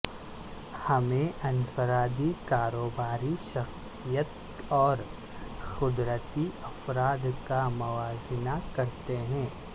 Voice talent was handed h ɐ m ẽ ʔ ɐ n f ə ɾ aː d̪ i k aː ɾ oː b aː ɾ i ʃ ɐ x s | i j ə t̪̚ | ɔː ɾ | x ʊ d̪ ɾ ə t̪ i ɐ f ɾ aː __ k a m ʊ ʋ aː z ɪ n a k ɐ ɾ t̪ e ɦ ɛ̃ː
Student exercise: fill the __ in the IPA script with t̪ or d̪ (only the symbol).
d̪